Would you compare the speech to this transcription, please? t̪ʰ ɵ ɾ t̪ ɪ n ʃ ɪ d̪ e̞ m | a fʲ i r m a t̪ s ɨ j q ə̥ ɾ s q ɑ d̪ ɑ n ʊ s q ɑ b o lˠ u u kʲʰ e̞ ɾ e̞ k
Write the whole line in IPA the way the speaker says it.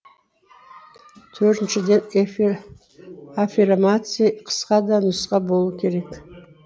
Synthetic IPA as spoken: t̪ʰ ɵ ɾ t̪ ɪ n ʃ ɪ d̪ e̞ n | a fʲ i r m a t̪ s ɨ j qʰ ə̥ s q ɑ d̪ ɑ n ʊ s q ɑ b o lˠ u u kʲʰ e̞ ɾ e̞ k